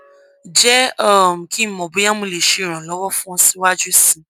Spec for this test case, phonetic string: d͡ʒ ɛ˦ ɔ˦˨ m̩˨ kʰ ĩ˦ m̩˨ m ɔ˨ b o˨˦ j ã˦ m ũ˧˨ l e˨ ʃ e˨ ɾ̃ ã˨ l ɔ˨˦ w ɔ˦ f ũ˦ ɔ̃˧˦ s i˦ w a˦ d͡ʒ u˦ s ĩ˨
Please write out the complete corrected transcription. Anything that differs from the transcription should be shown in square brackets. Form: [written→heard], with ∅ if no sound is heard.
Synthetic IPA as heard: d͡ʒ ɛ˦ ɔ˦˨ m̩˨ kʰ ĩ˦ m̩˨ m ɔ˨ b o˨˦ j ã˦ m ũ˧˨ l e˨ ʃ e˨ ɾ̃ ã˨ l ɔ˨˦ w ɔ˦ f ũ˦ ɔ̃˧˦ s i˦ w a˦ d͡ʒ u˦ s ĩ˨